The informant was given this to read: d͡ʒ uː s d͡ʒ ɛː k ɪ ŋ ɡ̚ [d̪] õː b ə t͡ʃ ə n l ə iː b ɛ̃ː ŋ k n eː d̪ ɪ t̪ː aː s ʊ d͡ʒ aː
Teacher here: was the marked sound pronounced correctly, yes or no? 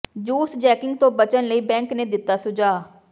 no